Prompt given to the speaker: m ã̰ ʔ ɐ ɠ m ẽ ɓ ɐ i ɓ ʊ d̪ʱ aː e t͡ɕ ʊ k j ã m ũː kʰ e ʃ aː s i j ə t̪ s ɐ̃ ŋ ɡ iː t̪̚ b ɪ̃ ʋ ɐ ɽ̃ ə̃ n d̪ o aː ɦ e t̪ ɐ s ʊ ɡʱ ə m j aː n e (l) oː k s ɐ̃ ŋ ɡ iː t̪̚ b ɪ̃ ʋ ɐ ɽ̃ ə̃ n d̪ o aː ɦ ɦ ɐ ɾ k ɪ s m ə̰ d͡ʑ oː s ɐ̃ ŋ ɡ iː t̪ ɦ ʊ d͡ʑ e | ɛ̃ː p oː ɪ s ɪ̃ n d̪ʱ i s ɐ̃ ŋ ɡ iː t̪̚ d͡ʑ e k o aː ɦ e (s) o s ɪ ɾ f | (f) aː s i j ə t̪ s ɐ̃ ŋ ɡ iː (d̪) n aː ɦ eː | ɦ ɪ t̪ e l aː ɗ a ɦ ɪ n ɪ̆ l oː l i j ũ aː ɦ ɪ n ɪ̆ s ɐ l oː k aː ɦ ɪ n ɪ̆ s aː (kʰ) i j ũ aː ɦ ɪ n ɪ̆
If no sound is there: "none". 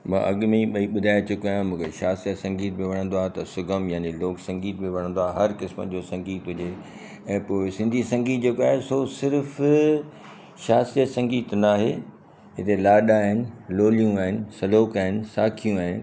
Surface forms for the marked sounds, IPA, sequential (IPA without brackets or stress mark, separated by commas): l, s, ʃ, t̪, kʰ